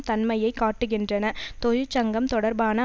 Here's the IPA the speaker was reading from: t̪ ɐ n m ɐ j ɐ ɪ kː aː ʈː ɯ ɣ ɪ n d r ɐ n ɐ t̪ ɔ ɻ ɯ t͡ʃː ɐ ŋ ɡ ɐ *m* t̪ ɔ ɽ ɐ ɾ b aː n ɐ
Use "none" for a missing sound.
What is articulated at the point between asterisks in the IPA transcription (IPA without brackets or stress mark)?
m